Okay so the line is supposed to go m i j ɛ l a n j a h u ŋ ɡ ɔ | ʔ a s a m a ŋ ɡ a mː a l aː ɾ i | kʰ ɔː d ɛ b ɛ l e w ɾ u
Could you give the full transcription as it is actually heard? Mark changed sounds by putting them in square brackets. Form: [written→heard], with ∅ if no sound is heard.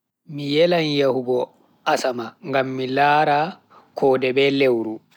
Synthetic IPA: m i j ɛ l a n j a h u [ŋ→∅] ɡ ɔ | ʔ a s a m a ŋ ɡ a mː [a→i] l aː ɾ [i→a] | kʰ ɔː d ɛ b ɛ l e w ɾ u